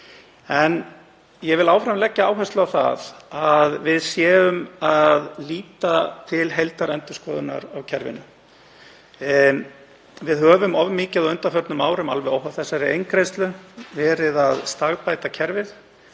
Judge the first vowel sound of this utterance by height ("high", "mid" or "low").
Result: mid